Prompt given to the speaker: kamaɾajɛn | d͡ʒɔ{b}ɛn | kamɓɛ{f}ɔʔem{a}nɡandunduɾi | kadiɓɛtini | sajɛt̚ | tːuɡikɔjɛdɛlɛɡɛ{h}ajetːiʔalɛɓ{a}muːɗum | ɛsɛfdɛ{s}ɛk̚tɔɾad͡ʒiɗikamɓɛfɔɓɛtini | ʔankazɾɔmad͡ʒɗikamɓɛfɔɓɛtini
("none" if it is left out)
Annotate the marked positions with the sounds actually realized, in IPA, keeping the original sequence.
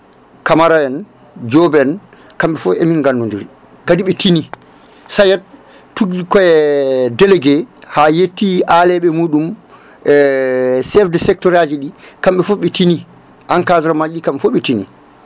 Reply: b, f, i, h, ɛ, s

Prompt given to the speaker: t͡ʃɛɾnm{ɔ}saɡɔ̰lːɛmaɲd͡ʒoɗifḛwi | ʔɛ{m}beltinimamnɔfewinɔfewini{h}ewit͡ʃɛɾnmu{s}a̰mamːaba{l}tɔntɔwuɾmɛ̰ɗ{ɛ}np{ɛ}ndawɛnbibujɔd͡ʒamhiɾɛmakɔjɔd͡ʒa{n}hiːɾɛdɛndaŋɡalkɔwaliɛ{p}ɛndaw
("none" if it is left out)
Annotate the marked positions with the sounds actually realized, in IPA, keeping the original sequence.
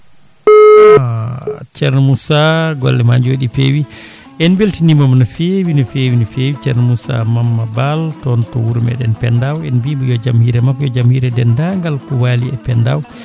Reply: u, n, f, s, l, ɛ, ɛ, m, p

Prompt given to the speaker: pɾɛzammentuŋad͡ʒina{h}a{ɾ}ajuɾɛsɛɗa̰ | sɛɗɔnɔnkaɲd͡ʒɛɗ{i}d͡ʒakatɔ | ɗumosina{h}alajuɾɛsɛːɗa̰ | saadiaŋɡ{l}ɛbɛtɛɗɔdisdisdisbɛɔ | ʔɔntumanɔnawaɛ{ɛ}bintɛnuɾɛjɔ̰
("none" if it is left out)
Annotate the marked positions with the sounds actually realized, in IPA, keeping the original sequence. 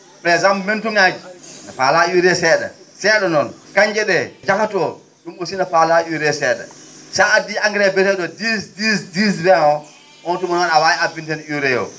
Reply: f, l, ɛ, f, ɾ, a

